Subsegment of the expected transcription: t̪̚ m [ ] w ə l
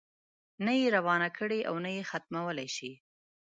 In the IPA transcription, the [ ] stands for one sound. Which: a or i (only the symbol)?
a